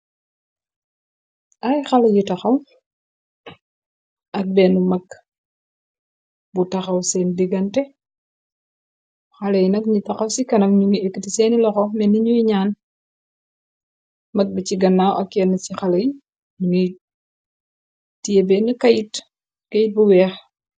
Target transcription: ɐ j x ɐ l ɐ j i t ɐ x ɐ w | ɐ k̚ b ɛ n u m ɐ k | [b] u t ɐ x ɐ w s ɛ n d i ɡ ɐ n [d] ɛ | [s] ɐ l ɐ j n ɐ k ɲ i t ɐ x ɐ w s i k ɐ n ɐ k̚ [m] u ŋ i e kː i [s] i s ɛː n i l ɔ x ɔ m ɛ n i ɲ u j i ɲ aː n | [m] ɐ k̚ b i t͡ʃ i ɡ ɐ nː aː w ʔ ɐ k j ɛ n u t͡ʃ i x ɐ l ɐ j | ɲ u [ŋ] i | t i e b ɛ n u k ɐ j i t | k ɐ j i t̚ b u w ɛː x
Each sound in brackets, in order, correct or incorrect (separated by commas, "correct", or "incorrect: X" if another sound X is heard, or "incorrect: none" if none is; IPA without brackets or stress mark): correct, incorrect: t, incorrect: x, incorrect: ɲ, incorrect: t, correct, correct